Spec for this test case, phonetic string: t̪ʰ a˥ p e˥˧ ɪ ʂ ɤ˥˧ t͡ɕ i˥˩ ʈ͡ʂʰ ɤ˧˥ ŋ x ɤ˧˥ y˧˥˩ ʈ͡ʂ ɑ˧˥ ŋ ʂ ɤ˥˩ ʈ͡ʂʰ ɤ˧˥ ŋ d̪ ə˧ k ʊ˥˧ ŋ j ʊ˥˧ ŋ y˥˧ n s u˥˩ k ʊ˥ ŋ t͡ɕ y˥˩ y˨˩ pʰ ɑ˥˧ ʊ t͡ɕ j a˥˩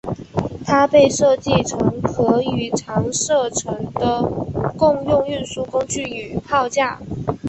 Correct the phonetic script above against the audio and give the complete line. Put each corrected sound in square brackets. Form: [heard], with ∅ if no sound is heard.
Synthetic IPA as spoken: t̪ʰ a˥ p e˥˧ ɪ ʂ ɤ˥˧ t͡ɕ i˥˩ ʈ͡ʂʰ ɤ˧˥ ŋ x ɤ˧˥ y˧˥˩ [ʈ͡ʂʰ] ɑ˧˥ ŋ ʂ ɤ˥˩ ʈ͡ʂʰ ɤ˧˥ ŋ d̪ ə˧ k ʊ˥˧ ŋ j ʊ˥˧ ŋ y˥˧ n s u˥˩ k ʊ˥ ŋ t͡ɕ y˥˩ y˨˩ pʰ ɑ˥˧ ʊ t͡ɕ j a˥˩